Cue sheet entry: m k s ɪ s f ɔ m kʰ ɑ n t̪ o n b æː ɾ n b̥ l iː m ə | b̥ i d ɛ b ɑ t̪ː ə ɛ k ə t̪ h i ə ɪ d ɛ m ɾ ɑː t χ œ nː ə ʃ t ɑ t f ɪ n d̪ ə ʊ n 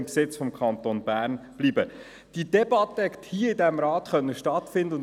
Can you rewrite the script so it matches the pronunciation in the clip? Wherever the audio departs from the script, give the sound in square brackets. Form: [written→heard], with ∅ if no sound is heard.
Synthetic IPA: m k s ɪ [s→t͡s] f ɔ m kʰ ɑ n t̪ o n b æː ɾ n b̥ l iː [m→b] ə | [b̥→d̥] i d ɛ b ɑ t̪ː ə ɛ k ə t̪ h i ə ɪ d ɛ m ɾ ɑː t χ œ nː ə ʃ t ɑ t f ɪ n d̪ ə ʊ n